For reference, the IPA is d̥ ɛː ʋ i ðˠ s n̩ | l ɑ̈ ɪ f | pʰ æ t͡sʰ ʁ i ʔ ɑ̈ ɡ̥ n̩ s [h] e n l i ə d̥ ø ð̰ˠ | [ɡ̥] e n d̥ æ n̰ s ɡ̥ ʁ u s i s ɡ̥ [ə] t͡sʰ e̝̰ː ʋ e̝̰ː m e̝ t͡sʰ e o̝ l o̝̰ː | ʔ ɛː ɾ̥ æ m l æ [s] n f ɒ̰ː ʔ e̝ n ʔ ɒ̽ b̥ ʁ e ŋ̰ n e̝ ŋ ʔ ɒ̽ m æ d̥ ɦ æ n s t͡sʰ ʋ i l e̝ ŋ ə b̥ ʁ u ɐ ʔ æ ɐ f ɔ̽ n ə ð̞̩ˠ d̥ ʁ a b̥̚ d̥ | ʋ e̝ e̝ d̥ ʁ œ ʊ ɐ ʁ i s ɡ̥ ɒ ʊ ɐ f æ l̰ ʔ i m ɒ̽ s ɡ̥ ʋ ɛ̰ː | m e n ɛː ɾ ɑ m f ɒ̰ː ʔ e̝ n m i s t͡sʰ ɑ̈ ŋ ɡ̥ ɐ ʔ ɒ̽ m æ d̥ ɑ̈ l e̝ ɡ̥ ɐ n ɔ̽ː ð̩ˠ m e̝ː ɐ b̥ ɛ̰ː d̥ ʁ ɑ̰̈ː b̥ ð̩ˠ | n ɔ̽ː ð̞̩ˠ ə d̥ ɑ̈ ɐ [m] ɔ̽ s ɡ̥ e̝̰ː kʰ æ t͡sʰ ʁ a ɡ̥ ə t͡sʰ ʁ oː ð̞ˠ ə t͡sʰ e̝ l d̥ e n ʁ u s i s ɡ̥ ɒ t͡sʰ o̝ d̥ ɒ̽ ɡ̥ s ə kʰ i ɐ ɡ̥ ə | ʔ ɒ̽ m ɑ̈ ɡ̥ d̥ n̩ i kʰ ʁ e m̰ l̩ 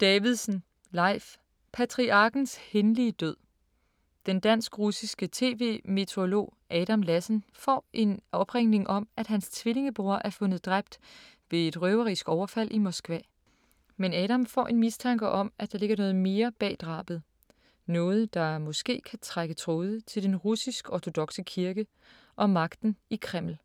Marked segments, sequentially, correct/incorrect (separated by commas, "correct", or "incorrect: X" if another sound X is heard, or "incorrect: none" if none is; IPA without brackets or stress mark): correct, incorrect: d̥, correct, correct, correct